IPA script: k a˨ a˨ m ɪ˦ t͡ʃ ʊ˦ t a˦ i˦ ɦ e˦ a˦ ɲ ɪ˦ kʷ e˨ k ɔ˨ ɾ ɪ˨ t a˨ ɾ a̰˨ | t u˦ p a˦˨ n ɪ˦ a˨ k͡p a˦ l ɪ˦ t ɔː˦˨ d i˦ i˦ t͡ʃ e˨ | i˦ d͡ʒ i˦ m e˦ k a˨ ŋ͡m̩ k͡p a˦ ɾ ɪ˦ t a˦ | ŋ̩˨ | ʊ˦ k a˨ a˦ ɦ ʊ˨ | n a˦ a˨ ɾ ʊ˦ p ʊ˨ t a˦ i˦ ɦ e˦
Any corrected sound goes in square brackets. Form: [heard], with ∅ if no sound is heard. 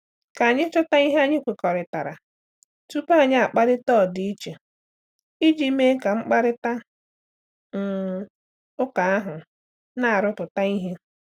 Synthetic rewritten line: k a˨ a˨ [ɲ] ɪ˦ t͡ʃ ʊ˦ t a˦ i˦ ɦ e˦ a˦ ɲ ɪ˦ kʷ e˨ k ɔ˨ ɾ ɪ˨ t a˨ ɾ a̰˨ | t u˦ p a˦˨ [ɲ] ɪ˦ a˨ k͡p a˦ [ɾ] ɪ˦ t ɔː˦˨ d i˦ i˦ t͡ʃ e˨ | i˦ d͡ʒ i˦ m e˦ k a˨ ŋ͡m̩ k͡p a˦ ɾ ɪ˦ t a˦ | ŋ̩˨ | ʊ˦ k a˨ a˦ ɦ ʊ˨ | n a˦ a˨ ɾ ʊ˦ p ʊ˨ t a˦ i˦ ɦ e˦